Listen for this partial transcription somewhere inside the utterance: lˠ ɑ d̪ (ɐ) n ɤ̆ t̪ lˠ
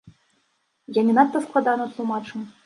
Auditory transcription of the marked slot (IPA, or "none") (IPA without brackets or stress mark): ɑ